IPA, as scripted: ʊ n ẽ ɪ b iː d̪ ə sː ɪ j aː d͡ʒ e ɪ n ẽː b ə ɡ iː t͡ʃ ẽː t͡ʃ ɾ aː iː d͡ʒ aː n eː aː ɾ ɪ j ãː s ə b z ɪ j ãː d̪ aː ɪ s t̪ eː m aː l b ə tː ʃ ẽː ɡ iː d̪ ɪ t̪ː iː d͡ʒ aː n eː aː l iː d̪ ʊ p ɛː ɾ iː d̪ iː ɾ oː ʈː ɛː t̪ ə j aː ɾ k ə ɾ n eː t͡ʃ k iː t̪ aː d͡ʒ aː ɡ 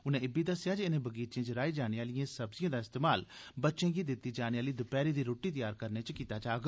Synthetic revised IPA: ʊ n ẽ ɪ b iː d̪ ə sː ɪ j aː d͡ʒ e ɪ n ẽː b ə ɡ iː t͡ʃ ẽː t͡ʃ ɾ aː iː d͡ʒ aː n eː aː l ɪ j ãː s ə b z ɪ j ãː d̪ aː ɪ s t̪ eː m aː l b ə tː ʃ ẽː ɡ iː d̪ ɪ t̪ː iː d͡ʒ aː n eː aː l iː d̪ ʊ p ɛː ɾ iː d̪ iː ɾ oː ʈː iː t̪ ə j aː ɾ k ə ɾ n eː t͡ʃ k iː t̪ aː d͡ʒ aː ɡ